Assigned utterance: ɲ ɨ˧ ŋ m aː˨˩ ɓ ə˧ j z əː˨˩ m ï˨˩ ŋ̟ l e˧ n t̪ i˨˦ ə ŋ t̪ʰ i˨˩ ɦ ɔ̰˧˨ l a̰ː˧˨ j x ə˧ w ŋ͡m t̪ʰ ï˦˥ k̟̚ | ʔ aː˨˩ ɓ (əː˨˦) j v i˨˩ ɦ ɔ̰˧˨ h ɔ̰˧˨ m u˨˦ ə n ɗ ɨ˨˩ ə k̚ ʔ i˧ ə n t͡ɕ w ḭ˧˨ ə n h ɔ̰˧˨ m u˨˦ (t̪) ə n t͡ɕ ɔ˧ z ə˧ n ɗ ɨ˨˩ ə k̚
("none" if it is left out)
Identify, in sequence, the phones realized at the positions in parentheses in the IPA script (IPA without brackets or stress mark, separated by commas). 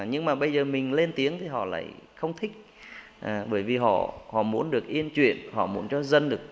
əː˧˩, none